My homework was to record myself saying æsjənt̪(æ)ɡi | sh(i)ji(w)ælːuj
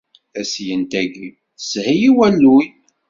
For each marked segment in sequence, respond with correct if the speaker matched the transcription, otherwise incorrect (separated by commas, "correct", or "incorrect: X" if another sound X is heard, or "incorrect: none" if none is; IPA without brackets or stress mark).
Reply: correct, correct, correct